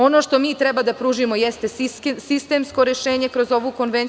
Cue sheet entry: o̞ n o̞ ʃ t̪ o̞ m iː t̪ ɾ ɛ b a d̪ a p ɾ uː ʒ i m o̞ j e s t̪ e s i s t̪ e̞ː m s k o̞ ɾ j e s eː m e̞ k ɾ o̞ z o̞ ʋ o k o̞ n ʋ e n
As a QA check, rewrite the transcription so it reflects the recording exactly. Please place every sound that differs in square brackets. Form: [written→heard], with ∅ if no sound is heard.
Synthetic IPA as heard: o̞ n o̞ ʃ t̪ o̞ m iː t̪ ɾ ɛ b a d̪ a p ɾ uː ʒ i m o̞ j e s t̪ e s i s t̪ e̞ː m s k o̞ ɾ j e [s→ʃ] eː [m→ɲ] e̞ k ɾ o̞ z o̞ ʋ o k o̞ n ʋ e n